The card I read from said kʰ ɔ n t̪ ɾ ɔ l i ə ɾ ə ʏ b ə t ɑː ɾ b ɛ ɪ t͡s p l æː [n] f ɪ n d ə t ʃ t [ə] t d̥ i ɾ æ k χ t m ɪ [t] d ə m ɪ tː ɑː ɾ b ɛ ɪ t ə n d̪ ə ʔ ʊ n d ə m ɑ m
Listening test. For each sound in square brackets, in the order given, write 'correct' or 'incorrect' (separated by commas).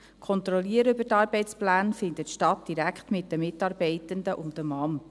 correct, incorrect, correct